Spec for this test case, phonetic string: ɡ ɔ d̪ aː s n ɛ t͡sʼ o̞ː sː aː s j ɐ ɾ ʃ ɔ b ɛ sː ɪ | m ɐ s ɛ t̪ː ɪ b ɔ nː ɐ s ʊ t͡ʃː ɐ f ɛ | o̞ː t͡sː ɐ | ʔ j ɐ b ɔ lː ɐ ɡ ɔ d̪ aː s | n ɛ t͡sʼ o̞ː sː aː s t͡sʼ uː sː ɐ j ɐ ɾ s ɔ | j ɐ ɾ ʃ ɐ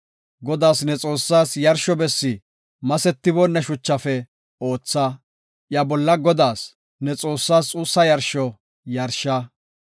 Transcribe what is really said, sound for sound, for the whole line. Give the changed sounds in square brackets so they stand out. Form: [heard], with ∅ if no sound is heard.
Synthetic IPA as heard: ɡ ɔ d̪ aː s n ɛ t͡sʼ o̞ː sː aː s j ɐ ɾ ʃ ɔ b ɛ sː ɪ | m ɐ s ɛ t̪ː ɪ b ɔ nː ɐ [ʃ] ʊ t͡ʃː ɐ f ɛ | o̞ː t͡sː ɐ | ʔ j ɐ b ɔ lː ɐ ɡ ɔ d̪ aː s | n ɛ t͡sʼ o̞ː sː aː s t͡sʼ uː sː ɐ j ɐ ɾ [ʃ] ɔ | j ɐ ɾ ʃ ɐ